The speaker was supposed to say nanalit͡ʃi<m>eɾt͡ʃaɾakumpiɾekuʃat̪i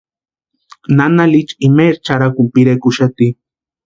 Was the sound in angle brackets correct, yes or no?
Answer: yes